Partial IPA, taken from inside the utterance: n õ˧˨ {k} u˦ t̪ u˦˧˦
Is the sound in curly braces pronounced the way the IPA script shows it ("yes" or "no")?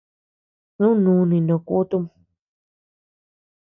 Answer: yes